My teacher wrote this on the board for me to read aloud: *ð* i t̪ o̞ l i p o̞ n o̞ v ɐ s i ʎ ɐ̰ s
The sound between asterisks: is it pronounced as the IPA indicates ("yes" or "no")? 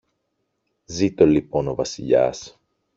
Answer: no